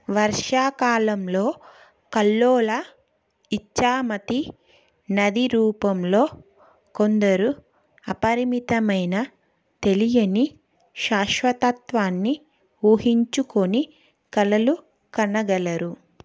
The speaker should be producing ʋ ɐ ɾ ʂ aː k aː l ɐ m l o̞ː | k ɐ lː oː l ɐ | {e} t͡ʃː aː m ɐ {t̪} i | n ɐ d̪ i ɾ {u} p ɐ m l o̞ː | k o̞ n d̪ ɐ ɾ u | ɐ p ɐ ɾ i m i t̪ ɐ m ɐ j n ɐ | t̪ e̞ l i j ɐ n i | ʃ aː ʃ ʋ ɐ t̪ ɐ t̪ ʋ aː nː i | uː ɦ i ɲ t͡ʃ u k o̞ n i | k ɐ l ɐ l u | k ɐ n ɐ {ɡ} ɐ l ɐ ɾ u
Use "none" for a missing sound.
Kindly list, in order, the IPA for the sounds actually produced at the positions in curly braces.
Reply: i, t̪, uː, ɡ

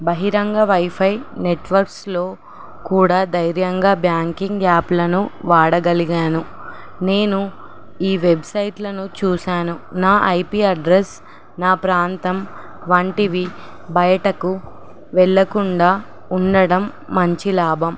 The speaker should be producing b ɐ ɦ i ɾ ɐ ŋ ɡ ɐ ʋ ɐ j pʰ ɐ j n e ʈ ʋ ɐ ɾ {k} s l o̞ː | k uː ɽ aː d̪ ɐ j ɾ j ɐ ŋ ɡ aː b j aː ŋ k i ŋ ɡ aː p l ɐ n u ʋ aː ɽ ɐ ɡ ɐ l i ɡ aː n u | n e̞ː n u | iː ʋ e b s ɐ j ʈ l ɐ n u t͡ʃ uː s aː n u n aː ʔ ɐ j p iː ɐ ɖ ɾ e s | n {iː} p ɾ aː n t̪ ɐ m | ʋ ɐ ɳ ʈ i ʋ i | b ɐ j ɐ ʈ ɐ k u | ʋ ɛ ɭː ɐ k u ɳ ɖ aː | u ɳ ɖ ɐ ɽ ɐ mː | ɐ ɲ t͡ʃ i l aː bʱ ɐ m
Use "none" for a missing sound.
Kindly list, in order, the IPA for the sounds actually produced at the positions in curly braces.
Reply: k, aː

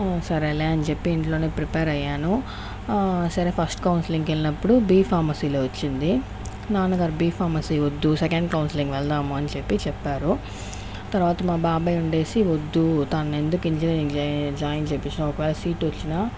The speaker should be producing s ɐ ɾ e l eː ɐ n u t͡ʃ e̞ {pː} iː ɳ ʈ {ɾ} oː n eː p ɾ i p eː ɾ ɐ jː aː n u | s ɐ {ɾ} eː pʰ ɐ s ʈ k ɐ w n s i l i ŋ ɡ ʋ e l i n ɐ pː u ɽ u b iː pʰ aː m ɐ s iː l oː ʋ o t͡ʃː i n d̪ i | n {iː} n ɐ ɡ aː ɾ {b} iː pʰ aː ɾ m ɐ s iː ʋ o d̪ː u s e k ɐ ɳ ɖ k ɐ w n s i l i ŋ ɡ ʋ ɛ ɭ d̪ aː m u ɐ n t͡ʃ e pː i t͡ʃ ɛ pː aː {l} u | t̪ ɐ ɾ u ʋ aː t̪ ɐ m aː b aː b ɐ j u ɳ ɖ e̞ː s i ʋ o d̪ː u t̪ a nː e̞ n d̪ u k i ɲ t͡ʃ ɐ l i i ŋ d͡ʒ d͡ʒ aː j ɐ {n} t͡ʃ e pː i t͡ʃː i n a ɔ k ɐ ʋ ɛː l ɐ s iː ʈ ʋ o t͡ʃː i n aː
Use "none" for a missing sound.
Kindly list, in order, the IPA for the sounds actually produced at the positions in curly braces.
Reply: pː, l, ɾ, aː, b, ɾ, n

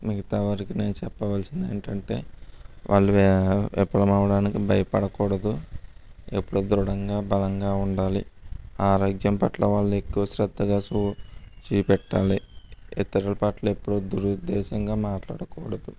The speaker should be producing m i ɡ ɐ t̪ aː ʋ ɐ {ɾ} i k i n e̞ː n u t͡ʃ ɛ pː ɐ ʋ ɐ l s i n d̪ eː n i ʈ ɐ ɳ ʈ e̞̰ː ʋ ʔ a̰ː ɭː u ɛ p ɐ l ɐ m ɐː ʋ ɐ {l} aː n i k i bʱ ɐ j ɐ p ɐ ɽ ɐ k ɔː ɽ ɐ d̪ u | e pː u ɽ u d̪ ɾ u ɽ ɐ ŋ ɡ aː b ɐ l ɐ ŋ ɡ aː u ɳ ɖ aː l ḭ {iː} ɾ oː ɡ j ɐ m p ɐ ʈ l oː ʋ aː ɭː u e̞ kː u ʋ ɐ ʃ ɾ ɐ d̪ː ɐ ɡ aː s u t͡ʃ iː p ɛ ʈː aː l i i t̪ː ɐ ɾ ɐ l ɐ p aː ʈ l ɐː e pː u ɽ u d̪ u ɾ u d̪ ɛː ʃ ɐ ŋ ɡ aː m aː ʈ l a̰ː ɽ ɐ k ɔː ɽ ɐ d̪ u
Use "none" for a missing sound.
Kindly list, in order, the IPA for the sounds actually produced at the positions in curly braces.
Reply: ɾ, ɽ, aː

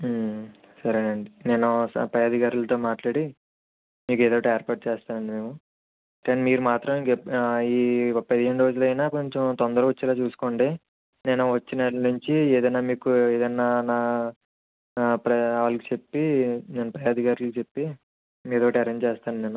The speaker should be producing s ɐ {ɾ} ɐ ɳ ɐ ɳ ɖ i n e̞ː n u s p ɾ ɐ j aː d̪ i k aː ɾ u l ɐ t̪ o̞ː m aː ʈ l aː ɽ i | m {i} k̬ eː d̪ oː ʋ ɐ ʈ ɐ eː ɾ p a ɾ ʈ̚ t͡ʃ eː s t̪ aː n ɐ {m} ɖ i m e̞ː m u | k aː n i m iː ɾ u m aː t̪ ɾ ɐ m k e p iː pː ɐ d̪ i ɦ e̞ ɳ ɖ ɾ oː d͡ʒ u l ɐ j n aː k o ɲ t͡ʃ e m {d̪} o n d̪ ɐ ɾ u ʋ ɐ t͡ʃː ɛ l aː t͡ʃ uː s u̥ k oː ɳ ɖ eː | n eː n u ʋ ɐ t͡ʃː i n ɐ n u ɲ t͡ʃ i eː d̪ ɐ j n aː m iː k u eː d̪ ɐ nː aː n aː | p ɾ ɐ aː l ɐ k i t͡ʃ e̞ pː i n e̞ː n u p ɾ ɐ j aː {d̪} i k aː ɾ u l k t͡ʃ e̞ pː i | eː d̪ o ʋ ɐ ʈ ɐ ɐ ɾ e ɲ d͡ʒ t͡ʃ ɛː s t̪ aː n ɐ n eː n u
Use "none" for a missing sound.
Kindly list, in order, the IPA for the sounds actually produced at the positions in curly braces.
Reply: ɾ, iː, ɳ, t̪, d̪

